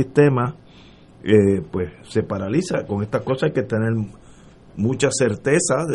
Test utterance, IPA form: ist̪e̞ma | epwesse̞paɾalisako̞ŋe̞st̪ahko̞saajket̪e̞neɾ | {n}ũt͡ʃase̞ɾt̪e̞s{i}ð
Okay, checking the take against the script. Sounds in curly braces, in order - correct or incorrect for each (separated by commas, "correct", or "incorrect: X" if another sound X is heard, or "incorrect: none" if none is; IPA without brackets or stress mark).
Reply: incorrect: m, incorrect: a